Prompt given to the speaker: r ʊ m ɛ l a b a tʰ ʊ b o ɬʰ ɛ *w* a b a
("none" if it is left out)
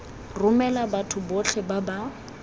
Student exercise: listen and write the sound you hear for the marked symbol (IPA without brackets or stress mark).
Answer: b